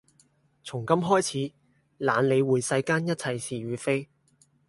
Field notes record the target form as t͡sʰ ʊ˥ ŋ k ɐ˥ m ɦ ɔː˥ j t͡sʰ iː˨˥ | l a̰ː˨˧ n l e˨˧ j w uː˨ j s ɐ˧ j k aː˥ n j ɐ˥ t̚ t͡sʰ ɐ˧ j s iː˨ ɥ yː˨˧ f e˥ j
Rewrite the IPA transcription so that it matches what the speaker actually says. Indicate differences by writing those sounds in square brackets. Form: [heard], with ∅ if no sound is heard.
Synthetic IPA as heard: t͡sʰ [ʊ˨˩] ŋ k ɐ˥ m ɦ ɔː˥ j t͡sʰ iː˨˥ | l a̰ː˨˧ n l e˨˧ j w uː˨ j s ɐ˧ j k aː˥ n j ɐ˥ t̚ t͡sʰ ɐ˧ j s iː˨ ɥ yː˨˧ f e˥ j

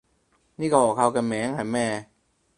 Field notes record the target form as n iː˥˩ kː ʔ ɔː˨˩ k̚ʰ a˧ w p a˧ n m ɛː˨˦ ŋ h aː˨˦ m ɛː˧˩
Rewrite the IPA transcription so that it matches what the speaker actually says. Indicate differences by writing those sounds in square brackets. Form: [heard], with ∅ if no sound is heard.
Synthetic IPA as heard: n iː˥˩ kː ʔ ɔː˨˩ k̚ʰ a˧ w [k] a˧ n m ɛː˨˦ ŋ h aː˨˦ m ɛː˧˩

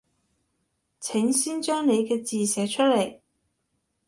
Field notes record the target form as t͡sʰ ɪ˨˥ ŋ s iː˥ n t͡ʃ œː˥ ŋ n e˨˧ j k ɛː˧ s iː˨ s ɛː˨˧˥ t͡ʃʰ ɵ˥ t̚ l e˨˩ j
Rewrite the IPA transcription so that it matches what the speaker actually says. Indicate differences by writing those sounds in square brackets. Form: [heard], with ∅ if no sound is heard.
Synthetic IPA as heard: t͡sʰ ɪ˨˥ ŋ s iː˥ n t͡ʃ œː˥ ŋ n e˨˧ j k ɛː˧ [t͡s] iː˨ s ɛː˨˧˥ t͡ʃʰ ɵ˥ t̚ l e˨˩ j

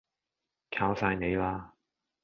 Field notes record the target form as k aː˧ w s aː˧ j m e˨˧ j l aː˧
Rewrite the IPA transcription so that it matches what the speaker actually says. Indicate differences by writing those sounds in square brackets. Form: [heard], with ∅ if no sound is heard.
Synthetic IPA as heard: [kʰ] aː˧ w s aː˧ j [n] e˨˧ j l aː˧

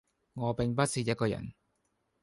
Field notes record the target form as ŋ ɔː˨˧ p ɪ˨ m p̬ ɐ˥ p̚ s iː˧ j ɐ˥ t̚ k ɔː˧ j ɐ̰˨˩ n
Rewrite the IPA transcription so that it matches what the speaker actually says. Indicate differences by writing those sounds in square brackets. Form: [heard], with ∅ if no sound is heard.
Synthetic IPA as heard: ŋ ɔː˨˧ p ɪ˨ [ŋ] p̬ ɐ˥ [t̚] s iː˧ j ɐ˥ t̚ k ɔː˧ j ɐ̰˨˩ n

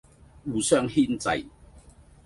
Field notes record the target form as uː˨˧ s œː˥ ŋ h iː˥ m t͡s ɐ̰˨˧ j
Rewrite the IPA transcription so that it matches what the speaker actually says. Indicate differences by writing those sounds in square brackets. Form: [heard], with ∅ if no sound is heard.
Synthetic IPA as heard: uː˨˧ s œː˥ ŋ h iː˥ [n] t͡s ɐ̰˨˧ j

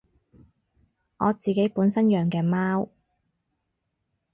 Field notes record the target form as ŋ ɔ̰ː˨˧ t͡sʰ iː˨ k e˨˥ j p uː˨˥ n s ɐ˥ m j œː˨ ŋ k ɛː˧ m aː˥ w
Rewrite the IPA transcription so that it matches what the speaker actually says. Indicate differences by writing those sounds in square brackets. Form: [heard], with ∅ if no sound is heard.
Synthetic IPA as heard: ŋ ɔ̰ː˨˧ [t͡s] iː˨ k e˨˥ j p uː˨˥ n s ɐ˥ [n] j œː˨ ŋ k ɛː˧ m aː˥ w

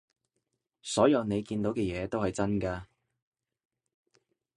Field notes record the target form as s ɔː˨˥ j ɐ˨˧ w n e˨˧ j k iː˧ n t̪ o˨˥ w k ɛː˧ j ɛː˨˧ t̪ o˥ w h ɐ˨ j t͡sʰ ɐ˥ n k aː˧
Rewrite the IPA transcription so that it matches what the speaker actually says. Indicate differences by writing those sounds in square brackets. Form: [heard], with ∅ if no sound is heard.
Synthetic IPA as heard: s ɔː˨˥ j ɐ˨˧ w n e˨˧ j k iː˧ n t̪ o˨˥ w k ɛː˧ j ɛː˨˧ t̪ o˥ w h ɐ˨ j [t͡s] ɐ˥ n k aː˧

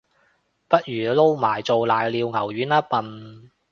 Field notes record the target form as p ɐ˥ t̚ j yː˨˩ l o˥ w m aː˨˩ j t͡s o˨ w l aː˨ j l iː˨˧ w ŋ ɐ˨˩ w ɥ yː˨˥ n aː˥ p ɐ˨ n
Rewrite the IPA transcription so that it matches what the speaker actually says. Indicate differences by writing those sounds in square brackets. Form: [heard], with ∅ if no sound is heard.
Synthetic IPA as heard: p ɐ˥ t̚ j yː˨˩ l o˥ w m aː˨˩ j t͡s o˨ w l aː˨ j l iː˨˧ w ŋ ɐ˨˩ w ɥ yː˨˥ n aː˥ p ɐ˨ n

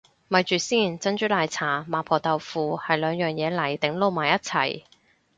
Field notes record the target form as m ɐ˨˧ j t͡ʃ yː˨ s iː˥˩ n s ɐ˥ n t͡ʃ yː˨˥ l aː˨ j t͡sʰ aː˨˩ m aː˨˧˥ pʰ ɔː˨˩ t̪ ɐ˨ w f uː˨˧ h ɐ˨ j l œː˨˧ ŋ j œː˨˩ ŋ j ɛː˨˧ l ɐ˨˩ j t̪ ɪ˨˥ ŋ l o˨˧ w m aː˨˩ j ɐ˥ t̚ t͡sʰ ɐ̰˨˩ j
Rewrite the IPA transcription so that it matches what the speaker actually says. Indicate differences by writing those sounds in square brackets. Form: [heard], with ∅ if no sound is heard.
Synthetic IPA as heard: m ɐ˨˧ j t͡ʃ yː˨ s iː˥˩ n [t͡s] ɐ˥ n t͡ʃ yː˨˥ l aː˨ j t͡sʰ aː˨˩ m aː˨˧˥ pʰ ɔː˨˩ t̪ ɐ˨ w f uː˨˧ h ɐ˨ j l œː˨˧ ŋ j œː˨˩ ŋ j ɛː˨˧ l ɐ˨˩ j t̪ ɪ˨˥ ŋ l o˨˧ w m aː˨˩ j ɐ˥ t̚ t͡sʰ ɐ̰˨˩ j

